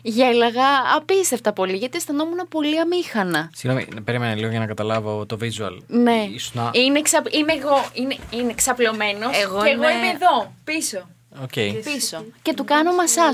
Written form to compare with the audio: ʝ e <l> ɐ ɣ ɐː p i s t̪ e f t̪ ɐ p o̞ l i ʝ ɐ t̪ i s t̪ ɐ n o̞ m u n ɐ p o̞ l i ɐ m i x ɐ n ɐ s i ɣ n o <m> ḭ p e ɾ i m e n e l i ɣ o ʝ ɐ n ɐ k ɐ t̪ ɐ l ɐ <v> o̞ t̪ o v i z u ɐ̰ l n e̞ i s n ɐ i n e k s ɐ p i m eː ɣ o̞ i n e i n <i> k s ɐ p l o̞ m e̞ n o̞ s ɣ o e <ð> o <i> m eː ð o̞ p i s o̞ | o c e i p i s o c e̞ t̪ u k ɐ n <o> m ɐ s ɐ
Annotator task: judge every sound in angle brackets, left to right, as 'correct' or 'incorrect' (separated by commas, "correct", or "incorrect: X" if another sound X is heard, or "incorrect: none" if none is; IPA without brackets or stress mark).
correct, correct, correct, incorrect: e, incorrect: ɣ, correct, correct